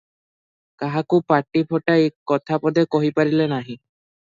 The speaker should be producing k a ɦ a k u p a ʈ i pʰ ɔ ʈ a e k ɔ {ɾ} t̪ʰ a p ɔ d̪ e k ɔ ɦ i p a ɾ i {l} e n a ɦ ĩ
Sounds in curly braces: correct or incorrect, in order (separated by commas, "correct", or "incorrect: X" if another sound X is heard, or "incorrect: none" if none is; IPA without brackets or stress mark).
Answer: incorrect: none, correct